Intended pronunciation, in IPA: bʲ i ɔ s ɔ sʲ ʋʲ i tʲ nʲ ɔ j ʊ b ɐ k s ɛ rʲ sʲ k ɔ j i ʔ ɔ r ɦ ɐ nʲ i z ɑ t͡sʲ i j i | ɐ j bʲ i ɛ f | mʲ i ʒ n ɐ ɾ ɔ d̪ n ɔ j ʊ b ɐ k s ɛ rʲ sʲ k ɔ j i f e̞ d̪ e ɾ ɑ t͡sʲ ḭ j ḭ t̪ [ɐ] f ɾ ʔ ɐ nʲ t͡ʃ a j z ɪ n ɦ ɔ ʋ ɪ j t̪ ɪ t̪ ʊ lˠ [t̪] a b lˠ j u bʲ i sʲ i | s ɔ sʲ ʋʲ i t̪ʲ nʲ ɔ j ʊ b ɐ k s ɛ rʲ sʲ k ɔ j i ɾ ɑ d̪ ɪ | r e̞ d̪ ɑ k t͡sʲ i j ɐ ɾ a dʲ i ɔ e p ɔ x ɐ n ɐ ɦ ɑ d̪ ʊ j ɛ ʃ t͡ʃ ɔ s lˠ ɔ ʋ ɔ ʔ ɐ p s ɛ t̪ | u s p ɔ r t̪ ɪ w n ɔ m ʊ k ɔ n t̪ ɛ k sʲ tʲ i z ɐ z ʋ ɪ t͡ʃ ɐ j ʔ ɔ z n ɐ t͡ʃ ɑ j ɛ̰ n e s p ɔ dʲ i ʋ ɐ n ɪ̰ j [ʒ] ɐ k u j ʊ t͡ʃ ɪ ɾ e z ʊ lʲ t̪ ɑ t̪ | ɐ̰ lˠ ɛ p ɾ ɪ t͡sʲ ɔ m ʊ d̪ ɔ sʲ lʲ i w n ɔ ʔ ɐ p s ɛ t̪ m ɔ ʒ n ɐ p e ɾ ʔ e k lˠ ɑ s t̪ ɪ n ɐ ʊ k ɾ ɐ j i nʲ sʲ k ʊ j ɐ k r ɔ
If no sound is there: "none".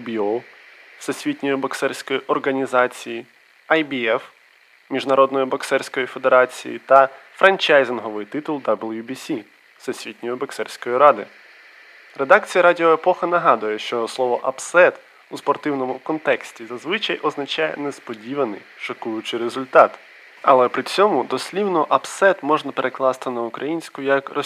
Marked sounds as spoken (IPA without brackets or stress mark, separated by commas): ɐ, d̪, ʃ